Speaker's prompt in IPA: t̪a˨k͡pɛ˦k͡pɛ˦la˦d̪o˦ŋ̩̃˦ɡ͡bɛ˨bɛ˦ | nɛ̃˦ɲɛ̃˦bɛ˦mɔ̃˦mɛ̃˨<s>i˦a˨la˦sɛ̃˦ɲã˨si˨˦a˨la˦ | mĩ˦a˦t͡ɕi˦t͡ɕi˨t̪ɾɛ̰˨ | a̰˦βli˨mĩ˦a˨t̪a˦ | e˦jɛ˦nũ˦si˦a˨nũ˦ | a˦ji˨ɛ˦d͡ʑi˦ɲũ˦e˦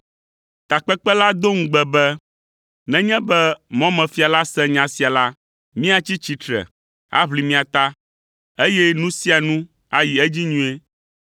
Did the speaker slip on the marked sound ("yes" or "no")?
yes